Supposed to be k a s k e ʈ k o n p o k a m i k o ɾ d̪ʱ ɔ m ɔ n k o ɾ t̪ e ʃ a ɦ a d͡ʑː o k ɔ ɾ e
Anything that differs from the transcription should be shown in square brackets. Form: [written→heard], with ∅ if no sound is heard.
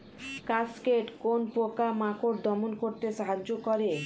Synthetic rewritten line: k a s k e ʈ k o n p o k a m [i→a] k o ɾ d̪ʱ ɔ m [ɔ→o] n k o ɾ t̪ e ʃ a ɦ a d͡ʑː o k ɔ ɾ e